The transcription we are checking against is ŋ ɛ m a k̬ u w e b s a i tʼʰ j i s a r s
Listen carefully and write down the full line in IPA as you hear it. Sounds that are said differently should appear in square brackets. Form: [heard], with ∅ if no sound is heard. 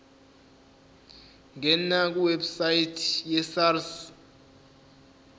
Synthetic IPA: ŋ ɛ [n] a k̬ u w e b s a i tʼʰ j [ɛ] s a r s